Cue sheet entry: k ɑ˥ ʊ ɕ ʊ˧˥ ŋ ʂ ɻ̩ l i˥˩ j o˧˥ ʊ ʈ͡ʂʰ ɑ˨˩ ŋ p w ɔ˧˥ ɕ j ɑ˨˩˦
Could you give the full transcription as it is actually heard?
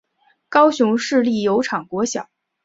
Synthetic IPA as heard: k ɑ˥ ʊ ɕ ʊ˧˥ ŋ ʂ ɻ̩ l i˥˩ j o˧˥ ʊ ʈ͡ʂʰ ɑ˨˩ ŋ k w ɔ˧˥ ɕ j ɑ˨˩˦